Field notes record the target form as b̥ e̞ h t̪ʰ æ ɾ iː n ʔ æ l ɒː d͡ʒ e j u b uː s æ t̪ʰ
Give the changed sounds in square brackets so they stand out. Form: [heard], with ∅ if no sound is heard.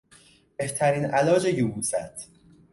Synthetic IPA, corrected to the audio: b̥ e̞ h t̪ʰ æ ɾ iː n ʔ æ l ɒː d͡ʒ e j u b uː s æ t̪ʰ